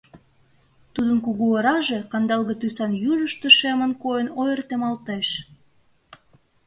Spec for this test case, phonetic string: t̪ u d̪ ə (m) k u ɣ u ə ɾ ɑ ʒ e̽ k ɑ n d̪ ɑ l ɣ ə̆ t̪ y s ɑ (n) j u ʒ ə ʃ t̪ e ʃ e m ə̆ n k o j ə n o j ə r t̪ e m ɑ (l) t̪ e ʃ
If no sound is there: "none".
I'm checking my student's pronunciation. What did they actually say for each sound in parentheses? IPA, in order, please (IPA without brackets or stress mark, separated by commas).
n, n, l